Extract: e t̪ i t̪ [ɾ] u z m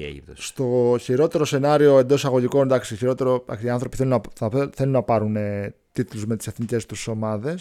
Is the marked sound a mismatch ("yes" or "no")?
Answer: yes